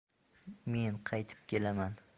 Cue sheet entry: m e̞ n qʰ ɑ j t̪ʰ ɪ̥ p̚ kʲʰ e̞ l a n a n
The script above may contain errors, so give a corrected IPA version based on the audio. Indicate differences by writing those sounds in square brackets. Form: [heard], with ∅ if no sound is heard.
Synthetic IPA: m e̞ n qʰ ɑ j t̪ʰ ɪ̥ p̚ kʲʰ e̞ l a [m] a n